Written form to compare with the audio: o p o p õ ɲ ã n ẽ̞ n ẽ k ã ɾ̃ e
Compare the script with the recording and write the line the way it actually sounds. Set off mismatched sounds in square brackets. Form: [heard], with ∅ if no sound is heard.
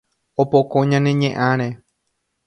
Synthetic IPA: o p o [k] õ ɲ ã n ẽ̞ [ɲ] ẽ [ʔ] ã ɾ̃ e